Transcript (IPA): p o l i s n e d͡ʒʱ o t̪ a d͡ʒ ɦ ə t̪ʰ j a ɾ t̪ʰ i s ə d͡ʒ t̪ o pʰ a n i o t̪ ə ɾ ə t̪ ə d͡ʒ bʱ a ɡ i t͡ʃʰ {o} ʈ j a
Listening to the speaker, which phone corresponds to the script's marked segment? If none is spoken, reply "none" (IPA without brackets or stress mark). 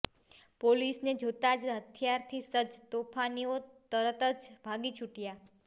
u